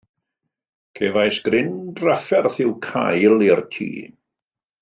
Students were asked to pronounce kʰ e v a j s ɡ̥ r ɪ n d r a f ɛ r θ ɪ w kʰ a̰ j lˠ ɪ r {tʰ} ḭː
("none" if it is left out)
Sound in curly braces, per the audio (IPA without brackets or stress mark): tʰ